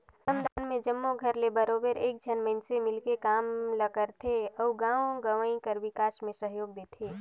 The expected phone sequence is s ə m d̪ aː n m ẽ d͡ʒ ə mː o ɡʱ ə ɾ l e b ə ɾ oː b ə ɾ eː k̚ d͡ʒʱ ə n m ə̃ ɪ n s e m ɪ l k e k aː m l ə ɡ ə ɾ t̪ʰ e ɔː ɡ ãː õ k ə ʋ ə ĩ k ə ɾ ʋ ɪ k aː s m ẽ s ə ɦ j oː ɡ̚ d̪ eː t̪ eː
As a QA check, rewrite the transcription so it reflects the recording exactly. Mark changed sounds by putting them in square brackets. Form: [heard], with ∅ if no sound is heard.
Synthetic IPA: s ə m d̪ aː n m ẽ d͡ʒ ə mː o ɡʱ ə ɾ l e b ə ɾ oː b ə ɾ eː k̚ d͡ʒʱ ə n m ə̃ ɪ n s e m ɪ l k e k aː m l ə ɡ ə ɾ t̪ʰ e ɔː ɡ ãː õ [ɡ] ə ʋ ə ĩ k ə ɾ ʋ ɪ k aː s m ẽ s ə ɦ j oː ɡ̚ d̪ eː [t̪ʰ] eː